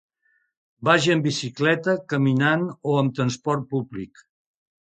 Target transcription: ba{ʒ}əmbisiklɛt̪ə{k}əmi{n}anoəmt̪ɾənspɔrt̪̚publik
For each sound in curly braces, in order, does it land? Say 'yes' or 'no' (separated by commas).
yes, yes, yes